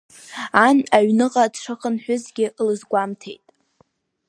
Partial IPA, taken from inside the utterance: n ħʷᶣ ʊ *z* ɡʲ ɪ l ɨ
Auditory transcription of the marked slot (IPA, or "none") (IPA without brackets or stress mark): z